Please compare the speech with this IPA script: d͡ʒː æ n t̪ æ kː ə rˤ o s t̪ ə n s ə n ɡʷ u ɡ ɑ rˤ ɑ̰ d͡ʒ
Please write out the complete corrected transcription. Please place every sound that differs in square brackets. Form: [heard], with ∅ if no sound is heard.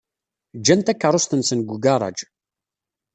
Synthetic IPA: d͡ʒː æ n t̪ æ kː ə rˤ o s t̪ ə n s ə n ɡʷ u ɡ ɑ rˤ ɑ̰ d͡ʒ